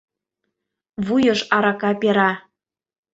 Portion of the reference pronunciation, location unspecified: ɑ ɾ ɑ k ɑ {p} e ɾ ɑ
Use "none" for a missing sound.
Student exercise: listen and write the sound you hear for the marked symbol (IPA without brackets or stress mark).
p